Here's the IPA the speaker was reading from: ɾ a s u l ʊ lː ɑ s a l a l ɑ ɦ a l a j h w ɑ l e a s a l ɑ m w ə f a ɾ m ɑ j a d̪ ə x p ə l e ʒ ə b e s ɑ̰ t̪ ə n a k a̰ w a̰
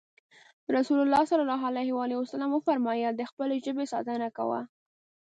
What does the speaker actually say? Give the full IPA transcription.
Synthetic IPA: ɾ a s u l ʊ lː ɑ s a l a l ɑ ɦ a l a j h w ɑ l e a s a l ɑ m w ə f a ɾ m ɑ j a d̪ ə x p ə l e ʒ ə b e s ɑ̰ t̪ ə n a k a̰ w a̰

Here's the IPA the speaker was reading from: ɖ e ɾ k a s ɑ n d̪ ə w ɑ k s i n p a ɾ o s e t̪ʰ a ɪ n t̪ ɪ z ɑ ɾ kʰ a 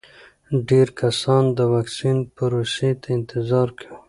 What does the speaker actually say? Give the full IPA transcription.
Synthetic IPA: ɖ e ɾ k a s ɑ n d̪ ə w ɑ k s i n p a ɾ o s e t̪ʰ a ɪ n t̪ ɪ z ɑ ɾ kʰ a

